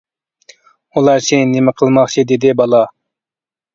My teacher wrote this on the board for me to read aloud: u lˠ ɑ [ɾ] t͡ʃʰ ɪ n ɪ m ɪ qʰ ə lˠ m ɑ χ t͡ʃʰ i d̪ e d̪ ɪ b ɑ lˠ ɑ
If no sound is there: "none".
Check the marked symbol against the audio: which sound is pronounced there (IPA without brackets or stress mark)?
ɾ